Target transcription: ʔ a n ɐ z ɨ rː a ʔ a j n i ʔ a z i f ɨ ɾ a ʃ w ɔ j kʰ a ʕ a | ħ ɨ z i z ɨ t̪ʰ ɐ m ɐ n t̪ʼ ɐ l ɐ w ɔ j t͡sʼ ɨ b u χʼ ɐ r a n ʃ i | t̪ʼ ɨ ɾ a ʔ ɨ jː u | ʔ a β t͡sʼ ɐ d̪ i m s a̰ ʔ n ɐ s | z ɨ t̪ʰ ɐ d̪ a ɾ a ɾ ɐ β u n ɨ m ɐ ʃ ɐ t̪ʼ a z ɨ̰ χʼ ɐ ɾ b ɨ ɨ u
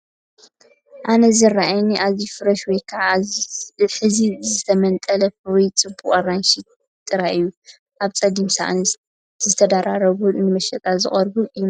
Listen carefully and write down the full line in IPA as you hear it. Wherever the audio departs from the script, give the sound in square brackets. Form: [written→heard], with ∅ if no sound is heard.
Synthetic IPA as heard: ʔ a n ɐ z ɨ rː a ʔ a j n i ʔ a z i f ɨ ɾ [a→ɐ] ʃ w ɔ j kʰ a ʕ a | ħ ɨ z i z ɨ t̪ʰ ɐ m ɐ n t̪ʼ ɐ l ɐ w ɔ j t͡sʼ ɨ b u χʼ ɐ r a n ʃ i | t̪ʼ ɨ ɾ a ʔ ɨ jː u | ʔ a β t͡sʼ ɐ d̪ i m s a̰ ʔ n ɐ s | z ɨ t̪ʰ ɐ d̪ a ɾ a ɾ ɐ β u n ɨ m ɐ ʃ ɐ t̪ʼ a z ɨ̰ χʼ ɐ ɾ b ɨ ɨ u

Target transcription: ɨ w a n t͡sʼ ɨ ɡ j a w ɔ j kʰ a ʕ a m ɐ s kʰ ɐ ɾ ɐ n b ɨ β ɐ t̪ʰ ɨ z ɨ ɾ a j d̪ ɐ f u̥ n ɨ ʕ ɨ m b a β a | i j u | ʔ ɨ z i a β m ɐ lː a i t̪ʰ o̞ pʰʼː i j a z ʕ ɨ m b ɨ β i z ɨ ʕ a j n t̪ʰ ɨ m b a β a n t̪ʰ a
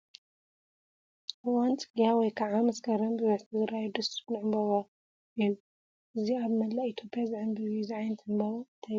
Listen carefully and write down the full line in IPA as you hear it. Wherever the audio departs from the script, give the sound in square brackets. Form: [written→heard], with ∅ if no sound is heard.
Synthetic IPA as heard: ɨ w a n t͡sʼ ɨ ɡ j a w ɔ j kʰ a ʕ a m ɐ s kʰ ɐ ɾ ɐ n b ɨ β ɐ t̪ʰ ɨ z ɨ ɾ a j d̪ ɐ [f→s] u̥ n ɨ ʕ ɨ m b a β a | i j u | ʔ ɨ z i a β m ɐ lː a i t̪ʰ o̞ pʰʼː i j a z ʕ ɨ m b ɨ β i z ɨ ʕ a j n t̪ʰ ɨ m b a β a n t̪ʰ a

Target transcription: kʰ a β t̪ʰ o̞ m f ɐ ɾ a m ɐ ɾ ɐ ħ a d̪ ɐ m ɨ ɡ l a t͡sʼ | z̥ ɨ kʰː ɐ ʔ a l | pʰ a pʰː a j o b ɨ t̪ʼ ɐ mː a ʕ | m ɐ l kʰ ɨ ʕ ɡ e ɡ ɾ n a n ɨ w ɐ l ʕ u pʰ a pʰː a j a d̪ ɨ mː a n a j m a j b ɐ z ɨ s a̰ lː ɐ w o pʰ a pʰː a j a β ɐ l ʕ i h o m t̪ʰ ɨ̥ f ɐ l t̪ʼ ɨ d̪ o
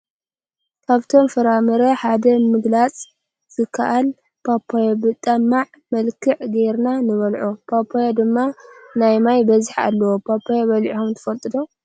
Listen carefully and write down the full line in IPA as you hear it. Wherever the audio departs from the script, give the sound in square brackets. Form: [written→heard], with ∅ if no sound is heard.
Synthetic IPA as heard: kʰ a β t̪ʰ o̞ m f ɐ ɾ a m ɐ ɾ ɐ ħ a d̪ ɐ m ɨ ɡ l a t͡sʼ | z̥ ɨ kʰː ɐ ʔ a l | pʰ a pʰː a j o b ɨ t̪ʼ ɐ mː a ʕ | m ɐ l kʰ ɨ ʕ ɡ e [ɡ→∅] ɾ n a n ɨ [w→β] ɐ l ʕ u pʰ a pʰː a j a d̪ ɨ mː a n a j m a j b ɐ z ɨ [s→ħ] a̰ lː ɐ w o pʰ a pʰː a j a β ɐ l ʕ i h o m t̪ʰ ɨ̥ f ɐ l t̪ʼ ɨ d̪ o

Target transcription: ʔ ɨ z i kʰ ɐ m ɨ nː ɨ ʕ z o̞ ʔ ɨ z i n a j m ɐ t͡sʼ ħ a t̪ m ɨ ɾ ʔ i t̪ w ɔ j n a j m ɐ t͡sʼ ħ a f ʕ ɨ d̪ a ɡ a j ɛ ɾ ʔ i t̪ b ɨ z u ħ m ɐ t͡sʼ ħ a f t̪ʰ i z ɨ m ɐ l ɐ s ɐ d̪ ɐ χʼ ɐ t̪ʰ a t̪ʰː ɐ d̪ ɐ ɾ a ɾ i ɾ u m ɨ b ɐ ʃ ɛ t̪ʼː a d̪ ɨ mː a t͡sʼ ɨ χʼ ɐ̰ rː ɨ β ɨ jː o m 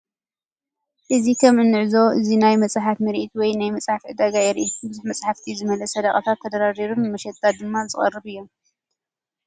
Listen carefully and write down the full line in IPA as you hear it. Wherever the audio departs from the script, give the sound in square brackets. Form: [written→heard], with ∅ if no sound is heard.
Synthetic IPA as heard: ʔ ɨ z i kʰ ɐ m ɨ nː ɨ ʕ z o̞ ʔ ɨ z i n a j m ɐ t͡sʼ ħ a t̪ m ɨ ɾ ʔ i t̪ w ɔ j n a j m ɐ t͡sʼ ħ a f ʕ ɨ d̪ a ɡ a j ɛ ɾ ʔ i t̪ b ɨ z u ħ m ɐ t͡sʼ ħ a f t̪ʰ i z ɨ m ɐ l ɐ s ɐ d̪ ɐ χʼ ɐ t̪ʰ a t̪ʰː ɐ d̪ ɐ ɾ a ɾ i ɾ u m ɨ [b→m] ɐ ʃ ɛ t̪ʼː a d̪ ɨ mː a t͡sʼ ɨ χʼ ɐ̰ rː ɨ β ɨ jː o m

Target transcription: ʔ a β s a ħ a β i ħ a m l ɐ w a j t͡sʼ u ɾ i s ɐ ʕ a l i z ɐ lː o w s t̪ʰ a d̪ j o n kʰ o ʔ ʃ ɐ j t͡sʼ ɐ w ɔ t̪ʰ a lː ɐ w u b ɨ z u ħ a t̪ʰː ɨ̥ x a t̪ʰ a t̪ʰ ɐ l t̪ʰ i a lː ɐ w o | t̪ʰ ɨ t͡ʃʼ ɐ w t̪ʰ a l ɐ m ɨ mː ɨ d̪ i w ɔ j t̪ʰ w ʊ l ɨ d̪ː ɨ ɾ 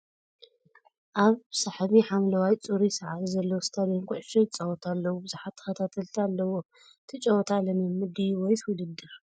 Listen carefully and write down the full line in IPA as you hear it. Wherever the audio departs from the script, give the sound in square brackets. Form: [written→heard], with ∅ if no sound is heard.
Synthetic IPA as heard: ʔ a β s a ħ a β i ħ a m l ɐ w a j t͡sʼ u ɾ i s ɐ ʕ a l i z ɐ lː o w s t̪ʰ a d̪ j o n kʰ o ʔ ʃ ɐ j t͡sʼ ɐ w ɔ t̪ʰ a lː ɐ w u b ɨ z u ħ a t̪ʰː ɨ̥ x [a→ɐ] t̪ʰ a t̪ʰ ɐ l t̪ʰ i a lː ɐ w o | t̪ʰ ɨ t͡ʃʼ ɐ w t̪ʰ a l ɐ m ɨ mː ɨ d̪ i w ɔ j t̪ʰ w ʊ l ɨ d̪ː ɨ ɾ

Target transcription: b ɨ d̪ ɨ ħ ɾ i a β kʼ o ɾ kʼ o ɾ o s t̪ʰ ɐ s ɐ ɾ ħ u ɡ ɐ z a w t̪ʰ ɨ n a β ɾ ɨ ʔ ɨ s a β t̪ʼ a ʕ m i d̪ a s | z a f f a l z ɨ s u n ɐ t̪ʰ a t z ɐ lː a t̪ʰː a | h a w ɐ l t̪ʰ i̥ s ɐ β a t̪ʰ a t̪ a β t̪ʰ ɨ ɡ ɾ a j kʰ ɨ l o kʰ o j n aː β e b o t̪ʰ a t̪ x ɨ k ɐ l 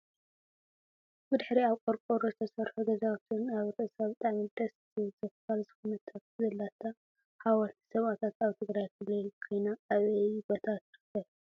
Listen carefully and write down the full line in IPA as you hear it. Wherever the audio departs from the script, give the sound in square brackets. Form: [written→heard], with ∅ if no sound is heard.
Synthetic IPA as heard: b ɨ d̪ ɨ ħ ɾ i a β kʼ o ɾ kʼ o ɾ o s t̪ʰ ɐ s ɐ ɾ ħ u ɡ ɐ z a w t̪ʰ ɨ n a β ɾ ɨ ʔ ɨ s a β t̪ʼ a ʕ m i d̪ [a→ɐ] s | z [a→ɐ] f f a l z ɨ [s→x] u n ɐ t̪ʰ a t z ɐ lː a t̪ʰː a | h a w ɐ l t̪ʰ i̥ s ɐ β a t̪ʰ a t̪ a β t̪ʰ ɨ ɡ ɾ a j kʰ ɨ l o kʰ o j n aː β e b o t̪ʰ a t̪ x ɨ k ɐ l

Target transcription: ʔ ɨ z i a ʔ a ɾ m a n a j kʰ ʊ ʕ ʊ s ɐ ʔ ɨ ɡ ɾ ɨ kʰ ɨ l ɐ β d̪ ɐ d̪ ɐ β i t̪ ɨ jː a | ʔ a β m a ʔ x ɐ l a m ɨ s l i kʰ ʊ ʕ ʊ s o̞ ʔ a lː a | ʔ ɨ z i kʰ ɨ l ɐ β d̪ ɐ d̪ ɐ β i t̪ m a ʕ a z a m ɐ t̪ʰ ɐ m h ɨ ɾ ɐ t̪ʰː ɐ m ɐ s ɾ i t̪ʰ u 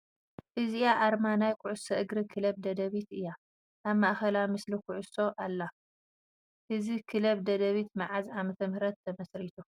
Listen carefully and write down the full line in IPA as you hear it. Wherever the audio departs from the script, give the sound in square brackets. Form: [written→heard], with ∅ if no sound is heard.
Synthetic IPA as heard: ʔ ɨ z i a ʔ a ɾ m a n a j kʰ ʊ ʕ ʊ s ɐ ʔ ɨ ɡ ɾ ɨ kʰ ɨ l ɐ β d̪ ɐ d̪ ɐ β i t̪ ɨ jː a | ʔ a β m a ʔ x ɐ l a m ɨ s l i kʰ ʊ ʕ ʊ s o̞ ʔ a lː a | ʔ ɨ z i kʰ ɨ l ɐ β d̪ ɐ d̪ ɐ β i t̪ m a ʕ a z a m ɐ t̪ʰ ɐ m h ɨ ɾ ɐ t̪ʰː ɐ m ɐ s ɾ i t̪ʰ u

